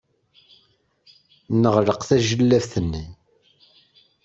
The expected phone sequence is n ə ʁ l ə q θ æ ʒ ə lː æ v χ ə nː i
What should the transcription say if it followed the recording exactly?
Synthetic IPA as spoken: n ə ʁ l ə q θ æ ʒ ə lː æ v θ ə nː i